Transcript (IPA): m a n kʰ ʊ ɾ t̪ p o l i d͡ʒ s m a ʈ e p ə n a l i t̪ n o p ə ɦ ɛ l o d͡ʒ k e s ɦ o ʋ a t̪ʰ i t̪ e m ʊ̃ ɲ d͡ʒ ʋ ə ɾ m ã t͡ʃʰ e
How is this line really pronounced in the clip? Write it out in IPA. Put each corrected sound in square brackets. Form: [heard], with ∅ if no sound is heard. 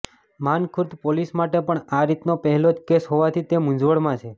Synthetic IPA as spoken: m a n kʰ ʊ ɾ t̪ p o l i [∅] s m a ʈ e p ə [ɳ] a [ɾ] i t̪ n o p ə ɦ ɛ l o d͡ʒ k e s ɦ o ʋ a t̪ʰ i t̪ e m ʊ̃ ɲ d͡ʒ ʋ ə [ɭ] m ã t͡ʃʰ e